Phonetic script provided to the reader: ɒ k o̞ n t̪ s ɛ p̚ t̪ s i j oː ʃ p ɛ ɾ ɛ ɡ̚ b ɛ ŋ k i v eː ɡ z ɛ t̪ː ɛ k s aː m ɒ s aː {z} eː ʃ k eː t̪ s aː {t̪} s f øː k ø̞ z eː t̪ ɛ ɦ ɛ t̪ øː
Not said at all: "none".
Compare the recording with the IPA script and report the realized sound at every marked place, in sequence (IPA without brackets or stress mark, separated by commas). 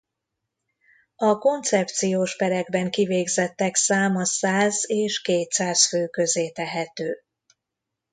z, none